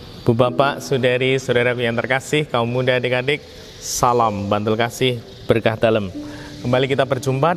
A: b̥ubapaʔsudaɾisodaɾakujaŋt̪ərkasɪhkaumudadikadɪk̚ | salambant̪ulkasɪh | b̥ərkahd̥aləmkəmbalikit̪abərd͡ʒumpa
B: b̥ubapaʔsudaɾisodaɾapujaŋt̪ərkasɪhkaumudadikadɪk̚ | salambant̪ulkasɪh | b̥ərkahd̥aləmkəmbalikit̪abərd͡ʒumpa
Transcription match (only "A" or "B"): A